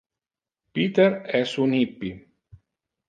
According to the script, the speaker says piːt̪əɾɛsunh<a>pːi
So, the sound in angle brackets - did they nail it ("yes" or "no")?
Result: no